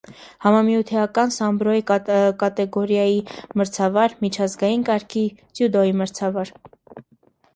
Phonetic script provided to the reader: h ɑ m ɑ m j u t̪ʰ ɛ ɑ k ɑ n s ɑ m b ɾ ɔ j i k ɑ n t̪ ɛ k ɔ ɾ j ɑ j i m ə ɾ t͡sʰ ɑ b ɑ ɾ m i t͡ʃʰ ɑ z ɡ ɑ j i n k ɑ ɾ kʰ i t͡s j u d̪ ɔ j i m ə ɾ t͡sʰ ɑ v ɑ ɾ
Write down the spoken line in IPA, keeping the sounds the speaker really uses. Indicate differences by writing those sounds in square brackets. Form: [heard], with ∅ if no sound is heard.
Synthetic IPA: h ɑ m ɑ m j u t̪ʰ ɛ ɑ k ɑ n s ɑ m b ɾ ɔ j i k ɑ [∅] t̪ ɛ [ɡ] ɔ ɾ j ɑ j i m ə ɾ t͡sʰ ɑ [v] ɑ ɾ m i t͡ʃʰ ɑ z ɡ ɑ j i n k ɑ ɾ kʰ i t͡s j u d̪ ɔ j i m ə ɾ t͡sʰ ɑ v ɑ ɾ

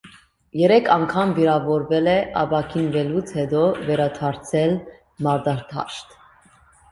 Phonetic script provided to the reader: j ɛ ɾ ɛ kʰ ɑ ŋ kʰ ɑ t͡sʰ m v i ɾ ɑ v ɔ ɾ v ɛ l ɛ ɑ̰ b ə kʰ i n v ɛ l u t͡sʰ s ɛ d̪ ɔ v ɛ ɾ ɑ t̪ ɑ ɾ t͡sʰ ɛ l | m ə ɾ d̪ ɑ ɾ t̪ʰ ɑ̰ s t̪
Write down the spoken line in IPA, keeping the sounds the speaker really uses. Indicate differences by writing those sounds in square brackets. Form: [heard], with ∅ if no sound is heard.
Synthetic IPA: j ɛ ɾ ɛ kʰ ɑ ŋ kʰ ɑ [∅] m v i ɾ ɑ v ɔ ɾ v ɛ l ɛ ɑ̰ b [ɑ] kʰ i n v ɛ l u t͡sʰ [h] ɛ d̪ ɔ v ɛ ɾ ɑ [t̪ʰ] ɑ ɾ t͡sʰ ɛ l | m [ɑ] ɾ d̪ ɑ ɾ t̪ʰ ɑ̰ [ʃ] t̪

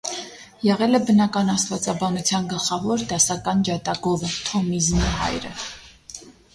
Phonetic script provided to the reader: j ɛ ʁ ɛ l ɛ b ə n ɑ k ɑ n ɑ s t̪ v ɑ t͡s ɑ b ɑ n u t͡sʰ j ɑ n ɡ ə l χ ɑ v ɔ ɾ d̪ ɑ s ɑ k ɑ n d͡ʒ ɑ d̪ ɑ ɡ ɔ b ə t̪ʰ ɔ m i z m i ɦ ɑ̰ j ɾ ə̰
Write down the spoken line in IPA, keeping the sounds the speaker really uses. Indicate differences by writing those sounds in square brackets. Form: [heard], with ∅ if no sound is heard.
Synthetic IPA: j ɛ ʁ ɛ l ɛ b ə n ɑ k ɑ n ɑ s t̪ v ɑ t͡s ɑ b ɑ n u t͡sʰ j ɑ n ɡ ə l χ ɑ v ɔ ɾ d̪ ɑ s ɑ k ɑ n d͡ʒ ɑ [t̪] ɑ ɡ ɔ [v] ə t̪ʰ ɔ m i z m i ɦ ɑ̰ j ɾ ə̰

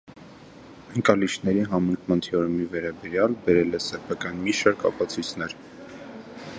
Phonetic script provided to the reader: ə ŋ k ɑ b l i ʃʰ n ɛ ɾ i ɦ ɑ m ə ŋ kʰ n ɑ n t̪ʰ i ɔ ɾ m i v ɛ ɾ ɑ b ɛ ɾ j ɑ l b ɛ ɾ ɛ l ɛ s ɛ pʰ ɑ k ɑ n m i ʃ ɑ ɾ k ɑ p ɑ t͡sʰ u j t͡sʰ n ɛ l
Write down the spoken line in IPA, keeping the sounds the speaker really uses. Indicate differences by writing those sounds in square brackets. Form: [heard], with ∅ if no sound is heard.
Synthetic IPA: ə ŋ k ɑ [∅] l i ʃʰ n ɛ ɾ i ɦ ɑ m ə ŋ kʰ [m] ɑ n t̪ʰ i ɔ ɾ m i v ɛ ɾ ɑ b ɛ ɾ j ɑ l b ɛ ɾ ɛ l ɛ s ɛ pʰ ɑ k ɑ n m i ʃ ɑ ɾ k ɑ p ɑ t͡sʰ u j t͡sʰ n ɛ [ɾ]

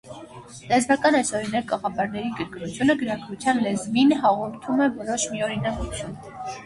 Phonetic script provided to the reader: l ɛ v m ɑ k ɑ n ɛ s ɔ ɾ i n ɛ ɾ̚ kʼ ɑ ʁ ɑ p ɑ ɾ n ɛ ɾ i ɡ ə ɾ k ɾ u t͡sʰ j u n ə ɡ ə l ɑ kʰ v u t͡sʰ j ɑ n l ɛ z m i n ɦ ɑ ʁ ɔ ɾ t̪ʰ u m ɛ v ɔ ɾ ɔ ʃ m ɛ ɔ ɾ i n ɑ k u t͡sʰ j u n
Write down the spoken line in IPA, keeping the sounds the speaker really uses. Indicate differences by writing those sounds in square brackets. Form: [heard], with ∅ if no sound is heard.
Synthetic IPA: l ɛ [z] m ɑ k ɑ n ɛ s ɔ ɾ i n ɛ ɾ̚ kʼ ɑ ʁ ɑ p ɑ ɾ n ɛ ɾ i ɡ ə ɾ k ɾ u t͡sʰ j u n ə ɡ ə [ɾ] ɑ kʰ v u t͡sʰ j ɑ n l ɛ z m i n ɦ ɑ ʁ ɔ ɾ t̪ʰ u m ɛ v ɔ ɾ ɔ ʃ m [i] ɔ ɾ i n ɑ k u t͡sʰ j u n

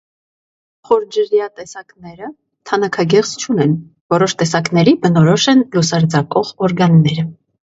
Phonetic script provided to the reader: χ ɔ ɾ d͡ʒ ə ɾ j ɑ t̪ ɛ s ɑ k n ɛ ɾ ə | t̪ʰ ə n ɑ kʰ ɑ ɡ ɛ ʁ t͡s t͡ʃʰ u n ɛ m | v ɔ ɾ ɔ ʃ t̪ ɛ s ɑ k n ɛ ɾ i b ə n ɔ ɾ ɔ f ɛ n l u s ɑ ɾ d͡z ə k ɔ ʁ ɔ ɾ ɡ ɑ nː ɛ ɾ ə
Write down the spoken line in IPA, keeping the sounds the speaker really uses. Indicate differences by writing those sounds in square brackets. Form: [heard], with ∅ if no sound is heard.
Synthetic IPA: χ ɔ ɾ d͡ʒ ə ɾ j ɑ t̪ ɛ s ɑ k n ɛ ɾ ə | t̪ʰ [ɑ] n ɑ kʰ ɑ ɡ ɛ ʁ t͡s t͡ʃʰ u n ɛ [n] | v ɔ ɾ ɔ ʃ t̪ ɛ s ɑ k n ɛ ɾ i b ə n ɔ ɾ ɔ [ʃ] ɛ n l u s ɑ ɾ d͡z [ɑ] k ɔ ʁ ɔ ɾ ɡ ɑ nː ɛ ɾ ə

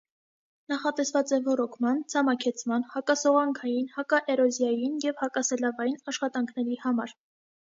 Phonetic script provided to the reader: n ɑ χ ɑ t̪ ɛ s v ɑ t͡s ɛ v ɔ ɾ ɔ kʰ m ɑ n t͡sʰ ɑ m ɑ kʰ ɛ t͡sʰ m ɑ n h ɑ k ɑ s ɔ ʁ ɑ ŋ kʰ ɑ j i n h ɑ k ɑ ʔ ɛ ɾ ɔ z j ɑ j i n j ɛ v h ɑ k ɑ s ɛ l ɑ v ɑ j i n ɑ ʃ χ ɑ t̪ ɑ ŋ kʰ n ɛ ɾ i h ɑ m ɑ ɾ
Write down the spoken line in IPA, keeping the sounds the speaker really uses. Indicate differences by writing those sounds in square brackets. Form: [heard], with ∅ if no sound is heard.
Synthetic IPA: n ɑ χ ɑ t̪ ɛ s v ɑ t͡s ɛ v ɔ ɾ ɔ kʰ m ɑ n t͡sʰ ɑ m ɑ kʰ ɛ t͡sʰ m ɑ n h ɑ k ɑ s ɔ ʁ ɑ ŋ kʰ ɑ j i n h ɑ k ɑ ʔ ɛ ɾ ɔ z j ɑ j i n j ɛ v h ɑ k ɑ s ɛ l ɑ v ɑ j i n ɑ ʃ χ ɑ t̪ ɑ ŋ kʰ n ɛ ɾ i h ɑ m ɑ ɾ

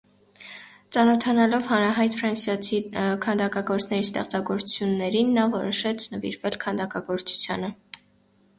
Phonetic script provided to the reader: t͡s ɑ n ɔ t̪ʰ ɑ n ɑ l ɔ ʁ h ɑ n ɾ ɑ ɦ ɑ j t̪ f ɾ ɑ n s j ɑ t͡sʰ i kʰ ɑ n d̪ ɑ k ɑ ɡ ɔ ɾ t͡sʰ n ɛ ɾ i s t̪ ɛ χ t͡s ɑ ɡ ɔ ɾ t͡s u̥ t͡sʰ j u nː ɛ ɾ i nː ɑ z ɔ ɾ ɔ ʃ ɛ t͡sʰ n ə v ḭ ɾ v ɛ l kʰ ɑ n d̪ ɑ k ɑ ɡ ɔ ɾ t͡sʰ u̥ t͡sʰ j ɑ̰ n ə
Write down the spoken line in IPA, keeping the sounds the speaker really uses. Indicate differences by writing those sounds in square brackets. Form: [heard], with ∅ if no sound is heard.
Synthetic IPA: t͡s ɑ n ɔ t̪ʰ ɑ n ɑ l ɔ [v] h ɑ n ɾ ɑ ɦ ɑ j t̪ f ɾ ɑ n s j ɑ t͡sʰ i kʰ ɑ n d̪ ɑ k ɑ ɡ ɔ ɾ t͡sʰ n ɛ ɾ i s t̪ ɛ χ t͡s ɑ ɡ ɔ ɾ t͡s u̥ t͡sʰ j u nː ɛ ɾ i nː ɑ [v] ɔ ɾ ɔ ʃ ɛ t͡sʰ n ə v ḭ ɾ v ɛ l kʰ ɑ n d̪ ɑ k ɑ ɡ ɔ ɾ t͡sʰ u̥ t͡sʰ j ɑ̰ n ə

